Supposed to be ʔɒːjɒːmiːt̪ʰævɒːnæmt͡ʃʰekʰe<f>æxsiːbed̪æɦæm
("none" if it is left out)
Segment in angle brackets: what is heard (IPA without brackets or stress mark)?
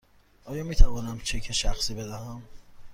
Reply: ʃ